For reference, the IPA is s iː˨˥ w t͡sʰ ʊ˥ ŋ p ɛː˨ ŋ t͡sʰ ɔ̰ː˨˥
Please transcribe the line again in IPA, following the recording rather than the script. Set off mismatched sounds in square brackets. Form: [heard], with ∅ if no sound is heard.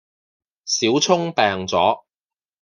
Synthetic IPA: s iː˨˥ w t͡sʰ ʊ˥ ŋ p ɛː˨ ŋ [t͡s] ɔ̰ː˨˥